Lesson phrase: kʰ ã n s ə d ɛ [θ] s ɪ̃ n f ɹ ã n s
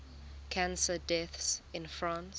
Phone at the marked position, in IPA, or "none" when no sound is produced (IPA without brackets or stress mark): θ